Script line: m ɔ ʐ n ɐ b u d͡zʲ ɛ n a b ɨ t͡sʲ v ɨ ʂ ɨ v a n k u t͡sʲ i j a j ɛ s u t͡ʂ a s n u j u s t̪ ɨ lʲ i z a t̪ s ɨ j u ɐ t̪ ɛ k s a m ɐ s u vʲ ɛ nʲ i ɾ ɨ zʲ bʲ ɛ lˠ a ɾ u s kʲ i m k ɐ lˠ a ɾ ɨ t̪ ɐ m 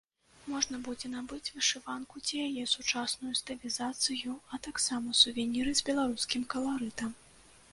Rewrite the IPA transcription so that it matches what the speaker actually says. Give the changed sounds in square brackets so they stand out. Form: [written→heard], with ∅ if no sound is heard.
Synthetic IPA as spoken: m ɔ ʐ n ɐ b u d͡zʲ ɛ n a b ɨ t͡sʲ v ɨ ʂ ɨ v a n k u t͡sʲ i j a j ɛ s u t͡ʂ a s n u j u s t̪ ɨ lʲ i z a t̪ s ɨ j u ɐ t̪ [ɛ→a] k s a m ɐ s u vʲ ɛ nʲ i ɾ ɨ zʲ bʲ ɛ lˠ a ɾ u s kʲ i m k ɐ lˠ a ɾ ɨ t̪ ɐ m